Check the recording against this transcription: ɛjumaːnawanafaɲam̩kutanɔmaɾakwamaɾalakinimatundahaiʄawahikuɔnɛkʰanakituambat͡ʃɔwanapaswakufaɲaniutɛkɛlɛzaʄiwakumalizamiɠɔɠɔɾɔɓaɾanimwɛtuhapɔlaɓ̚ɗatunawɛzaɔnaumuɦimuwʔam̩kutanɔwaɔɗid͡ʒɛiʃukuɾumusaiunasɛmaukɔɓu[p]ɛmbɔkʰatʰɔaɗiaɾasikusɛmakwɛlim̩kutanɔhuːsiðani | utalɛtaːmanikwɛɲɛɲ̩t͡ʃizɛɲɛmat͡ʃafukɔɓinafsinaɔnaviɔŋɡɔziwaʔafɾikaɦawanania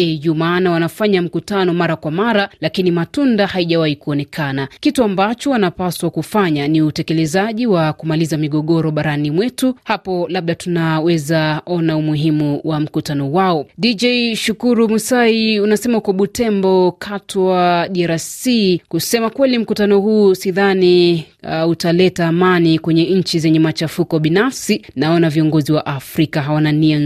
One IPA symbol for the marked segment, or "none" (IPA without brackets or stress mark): t